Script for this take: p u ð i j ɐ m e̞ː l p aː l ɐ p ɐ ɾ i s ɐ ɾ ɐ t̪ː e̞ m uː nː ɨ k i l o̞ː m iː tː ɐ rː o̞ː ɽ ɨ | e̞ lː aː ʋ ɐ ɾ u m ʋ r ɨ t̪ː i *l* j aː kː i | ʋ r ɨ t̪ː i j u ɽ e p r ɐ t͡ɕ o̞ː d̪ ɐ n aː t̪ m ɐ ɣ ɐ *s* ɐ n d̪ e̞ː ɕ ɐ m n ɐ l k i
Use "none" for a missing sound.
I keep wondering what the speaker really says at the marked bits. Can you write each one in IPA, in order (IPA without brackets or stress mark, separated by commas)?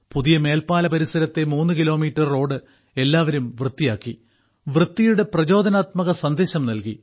none, s